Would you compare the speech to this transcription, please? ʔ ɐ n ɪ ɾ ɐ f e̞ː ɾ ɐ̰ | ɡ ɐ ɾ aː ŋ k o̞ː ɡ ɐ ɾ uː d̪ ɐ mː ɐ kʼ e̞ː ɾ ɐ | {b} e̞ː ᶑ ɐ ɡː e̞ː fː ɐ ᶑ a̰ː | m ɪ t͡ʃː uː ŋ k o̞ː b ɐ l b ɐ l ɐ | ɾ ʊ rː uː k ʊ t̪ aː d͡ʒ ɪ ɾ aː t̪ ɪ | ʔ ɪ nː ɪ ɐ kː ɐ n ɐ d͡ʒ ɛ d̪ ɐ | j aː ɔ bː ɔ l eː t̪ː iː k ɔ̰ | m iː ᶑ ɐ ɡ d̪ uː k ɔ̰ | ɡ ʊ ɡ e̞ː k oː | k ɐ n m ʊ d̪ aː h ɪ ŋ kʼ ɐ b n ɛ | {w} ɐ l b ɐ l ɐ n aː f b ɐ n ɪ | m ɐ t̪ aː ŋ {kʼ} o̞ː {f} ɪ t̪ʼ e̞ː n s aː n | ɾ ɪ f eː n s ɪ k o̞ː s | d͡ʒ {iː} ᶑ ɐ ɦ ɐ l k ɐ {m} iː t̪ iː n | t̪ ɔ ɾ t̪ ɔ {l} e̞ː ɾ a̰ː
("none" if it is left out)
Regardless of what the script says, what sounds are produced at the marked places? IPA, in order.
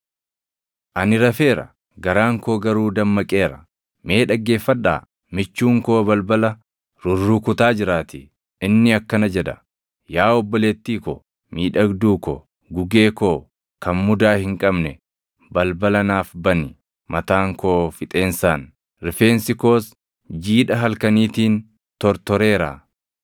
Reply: m, b, k, f, iː, n, ɾ

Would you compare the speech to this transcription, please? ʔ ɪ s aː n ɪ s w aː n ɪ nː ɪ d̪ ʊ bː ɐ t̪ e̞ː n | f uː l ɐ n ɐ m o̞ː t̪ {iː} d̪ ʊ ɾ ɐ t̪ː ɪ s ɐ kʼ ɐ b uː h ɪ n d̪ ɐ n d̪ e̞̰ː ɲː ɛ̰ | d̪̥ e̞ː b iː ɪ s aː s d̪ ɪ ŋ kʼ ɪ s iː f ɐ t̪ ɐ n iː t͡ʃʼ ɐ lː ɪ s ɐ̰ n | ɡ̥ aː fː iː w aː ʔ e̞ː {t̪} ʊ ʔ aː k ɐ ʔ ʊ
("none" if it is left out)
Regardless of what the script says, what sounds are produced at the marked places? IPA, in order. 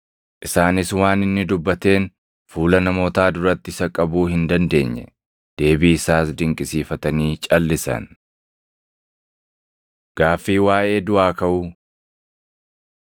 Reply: aː, d̪

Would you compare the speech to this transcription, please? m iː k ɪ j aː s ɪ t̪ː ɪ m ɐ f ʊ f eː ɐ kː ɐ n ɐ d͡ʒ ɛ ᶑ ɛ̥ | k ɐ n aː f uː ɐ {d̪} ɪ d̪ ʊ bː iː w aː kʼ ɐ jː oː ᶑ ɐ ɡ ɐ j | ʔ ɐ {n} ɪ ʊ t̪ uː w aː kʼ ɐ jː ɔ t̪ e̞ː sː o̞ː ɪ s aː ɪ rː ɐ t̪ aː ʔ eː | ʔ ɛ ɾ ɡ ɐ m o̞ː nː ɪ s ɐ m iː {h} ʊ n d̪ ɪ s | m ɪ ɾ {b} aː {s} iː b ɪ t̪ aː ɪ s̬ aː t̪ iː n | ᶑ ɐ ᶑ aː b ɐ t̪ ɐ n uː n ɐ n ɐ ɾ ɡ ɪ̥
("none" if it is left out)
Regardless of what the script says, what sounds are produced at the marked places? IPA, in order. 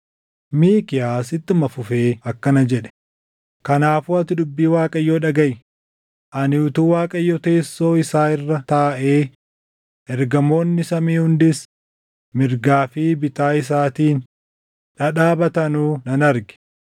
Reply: t̪, n, h, ɡ, f

